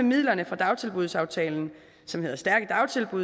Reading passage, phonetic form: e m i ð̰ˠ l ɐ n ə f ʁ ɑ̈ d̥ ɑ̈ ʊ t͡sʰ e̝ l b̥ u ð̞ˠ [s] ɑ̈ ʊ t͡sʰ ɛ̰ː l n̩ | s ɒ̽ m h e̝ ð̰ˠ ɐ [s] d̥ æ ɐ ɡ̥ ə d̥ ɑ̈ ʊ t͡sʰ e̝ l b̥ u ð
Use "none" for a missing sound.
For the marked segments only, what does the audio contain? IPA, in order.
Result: s, s

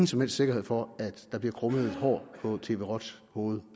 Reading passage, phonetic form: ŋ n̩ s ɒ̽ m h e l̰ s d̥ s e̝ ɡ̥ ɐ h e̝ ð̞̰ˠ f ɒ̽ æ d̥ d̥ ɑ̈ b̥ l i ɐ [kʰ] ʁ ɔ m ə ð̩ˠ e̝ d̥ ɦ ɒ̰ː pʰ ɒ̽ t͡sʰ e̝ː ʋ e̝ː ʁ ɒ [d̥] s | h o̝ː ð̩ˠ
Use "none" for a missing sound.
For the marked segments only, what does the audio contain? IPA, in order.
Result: kʰ, d̥

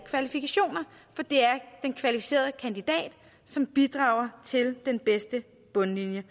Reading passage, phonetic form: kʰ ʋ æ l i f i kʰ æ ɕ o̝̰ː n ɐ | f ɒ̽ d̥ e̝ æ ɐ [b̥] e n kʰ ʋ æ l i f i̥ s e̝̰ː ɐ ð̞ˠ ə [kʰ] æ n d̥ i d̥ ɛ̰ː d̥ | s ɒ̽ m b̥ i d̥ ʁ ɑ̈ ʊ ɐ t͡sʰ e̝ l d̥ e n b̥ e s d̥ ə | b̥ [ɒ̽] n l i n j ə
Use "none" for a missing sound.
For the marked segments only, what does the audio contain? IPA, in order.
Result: d̥, kʰ, ɔ̽

